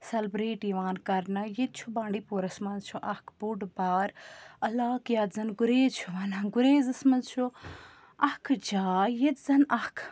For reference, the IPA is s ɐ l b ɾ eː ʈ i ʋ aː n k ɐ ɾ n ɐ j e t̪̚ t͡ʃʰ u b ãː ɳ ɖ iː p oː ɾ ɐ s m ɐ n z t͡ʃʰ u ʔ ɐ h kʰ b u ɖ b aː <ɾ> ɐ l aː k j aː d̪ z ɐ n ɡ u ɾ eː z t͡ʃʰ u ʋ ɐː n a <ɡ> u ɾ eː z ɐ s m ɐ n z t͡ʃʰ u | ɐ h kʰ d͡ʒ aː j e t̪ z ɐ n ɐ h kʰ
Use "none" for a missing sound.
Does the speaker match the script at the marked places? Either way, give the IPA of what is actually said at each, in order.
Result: ɾ, ɡ

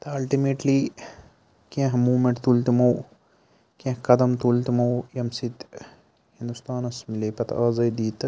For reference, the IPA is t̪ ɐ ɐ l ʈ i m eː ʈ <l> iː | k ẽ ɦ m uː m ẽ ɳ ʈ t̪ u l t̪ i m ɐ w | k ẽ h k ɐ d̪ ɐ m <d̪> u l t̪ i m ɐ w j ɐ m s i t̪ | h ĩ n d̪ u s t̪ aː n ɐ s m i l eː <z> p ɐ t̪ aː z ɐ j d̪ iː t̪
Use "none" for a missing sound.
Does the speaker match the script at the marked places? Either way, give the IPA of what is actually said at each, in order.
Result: l, t̪, none

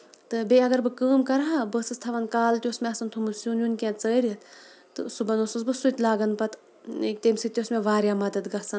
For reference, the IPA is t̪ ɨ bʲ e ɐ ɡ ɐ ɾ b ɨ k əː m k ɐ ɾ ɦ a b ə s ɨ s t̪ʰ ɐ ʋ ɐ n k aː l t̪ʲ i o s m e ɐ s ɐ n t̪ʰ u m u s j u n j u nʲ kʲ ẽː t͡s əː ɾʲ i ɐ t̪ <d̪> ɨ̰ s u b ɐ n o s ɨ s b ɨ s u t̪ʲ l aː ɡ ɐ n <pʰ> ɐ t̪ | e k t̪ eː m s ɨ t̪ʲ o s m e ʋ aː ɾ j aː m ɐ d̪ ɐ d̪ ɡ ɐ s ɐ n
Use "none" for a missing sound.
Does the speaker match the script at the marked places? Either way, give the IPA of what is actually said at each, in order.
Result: t̪, p

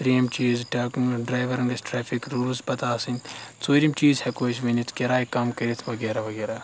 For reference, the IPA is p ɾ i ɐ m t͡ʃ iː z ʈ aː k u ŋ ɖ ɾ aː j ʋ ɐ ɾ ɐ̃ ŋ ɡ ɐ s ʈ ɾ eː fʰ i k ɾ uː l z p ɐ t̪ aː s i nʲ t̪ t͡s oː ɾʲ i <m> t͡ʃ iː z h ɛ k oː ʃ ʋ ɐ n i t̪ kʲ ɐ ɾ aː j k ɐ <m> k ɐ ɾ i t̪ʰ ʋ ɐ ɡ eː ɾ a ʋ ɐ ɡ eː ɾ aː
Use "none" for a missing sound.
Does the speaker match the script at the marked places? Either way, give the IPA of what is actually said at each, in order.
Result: m, m

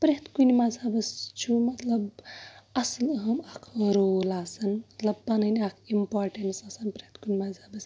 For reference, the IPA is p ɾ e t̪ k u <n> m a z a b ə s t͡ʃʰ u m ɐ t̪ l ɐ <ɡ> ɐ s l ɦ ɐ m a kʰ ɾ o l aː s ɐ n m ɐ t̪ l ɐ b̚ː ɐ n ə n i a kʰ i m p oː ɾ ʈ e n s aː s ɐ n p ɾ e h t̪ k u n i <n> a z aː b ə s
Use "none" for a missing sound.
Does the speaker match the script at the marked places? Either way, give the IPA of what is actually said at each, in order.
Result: n, b, m

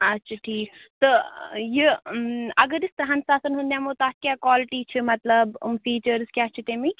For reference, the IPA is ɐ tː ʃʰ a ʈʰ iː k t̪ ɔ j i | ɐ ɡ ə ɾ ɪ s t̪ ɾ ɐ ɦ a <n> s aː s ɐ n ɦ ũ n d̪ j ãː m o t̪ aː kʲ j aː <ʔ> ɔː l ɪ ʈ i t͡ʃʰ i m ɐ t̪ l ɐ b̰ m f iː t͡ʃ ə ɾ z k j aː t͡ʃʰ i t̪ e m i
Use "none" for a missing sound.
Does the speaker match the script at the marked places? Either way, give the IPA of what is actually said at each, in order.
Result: n, k

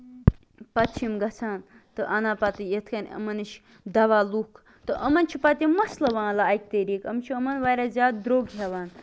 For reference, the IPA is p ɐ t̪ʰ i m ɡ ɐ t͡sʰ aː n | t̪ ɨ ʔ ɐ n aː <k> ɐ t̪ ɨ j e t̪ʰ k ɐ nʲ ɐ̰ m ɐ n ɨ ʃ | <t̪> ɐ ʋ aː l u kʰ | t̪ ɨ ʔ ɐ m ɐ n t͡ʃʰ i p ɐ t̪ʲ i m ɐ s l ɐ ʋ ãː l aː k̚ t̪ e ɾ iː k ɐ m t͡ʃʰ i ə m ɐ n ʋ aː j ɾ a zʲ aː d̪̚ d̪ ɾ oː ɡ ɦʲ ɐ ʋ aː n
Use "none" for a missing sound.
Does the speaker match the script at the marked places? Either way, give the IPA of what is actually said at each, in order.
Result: p, d̪

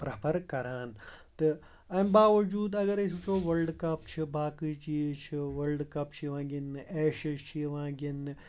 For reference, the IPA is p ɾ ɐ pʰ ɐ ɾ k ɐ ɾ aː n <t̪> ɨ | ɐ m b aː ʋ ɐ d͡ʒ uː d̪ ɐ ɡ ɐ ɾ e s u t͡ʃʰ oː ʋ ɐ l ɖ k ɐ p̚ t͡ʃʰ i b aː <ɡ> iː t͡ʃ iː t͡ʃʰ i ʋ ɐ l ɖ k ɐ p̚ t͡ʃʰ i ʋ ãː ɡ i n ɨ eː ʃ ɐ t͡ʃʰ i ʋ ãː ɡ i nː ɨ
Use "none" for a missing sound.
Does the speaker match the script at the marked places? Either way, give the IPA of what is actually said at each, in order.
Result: t̪, k

